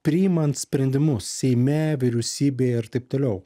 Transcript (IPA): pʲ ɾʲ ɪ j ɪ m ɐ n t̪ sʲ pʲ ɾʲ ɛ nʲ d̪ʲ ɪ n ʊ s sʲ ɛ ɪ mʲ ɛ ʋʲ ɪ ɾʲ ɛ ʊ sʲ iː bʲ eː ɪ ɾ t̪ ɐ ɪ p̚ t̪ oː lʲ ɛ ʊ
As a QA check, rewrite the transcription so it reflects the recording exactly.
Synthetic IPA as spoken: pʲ ɾʲ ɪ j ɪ m ɐ n t̪ sʲ pʲ ɾʲ ɛ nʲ d̪ʲ ɪ m ʊ s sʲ ɛ ɪ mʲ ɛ ʋʲ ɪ ɾʲ ɛ ʊ sʲ iː bʲ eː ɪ ɾ t̪ ɐ ɪ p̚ t̪ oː lʲ ɛ ʊ